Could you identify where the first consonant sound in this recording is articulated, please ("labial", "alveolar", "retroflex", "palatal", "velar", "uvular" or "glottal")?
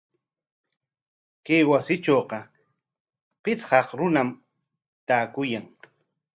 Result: velar